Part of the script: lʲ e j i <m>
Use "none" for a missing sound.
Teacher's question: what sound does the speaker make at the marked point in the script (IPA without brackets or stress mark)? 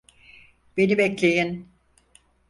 n